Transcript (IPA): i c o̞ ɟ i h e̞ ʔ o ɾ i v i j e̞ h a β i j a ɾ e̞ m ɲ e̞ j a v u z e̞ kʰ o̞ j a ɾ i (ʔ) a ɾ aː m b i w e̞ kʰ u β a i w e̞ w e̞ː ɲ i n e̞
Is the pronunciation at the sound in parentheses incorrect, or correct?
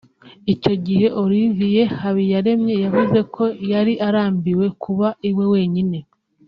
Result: correct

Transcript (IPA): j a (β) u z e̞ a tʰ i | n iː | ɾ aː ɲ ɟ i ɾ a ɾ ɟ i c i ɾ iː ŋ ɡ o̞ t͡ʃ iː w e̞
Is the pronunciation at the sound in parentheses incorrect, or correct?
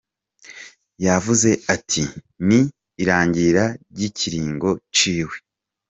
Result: incorrect: v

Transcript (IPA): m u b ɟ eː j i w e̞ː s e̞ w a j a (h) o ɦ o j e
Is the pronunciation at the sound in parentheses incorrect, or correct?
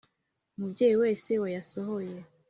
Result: incorrect: s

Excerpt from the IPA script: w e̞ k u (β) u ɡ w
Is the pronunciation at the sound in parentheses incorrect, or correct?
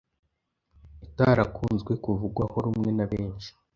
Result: incorrect: v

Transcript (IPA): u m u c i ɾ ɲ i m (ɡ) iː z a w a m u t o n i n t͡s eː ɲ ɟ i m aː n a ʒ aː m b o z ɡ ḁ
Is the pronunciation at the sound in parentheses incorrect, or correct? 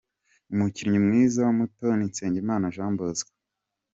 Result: incorrect: ŋ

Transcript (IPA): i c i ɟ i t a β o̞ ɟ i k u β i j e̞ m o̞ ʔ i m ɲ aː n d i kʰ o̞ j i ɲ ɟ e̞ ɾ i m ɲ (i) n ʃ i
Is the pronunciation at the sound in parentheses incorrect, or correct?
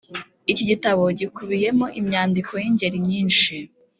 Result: incorrect: iː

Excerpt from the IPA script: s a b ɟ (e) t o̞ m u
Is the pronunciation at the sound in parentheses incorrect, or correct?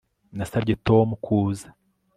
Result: correct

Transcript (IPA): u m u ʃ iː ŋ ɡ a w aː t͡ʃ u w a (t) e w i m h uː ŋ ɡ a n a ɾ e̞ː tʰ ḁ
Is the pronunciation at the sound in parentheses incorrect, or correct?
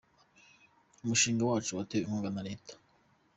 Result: correct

